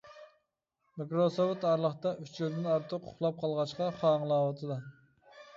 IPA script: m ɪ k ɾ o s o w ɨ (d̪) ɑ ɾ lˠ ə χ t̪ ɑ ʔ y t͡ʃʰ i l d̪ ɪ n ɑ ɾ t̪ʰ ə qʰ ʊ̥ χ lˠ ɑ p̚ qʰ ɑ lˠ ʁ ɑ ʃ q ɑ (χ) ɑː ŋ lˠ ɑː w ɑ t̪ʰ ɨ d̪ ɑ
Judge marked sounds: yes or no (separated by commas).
no, yes